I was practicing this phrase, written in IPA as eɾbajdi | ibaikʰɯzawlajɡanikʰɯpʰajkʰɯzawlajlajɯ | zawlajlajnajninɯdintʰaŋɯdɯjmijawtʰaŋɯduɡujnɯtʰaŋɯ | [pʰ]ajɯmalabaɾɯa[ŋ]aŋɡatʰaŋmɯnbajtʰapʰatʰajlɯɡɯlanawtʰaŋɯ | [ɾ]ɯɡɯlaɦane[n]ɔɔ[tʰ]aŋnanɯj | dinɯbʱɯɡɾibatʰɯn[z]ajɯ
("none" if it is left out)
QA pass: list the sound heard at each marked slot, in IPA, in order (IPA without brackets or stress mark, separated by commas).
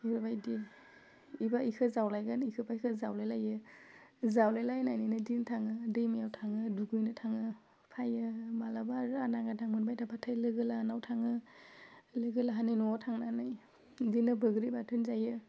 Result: pʰ, n, l, n, tʰ, z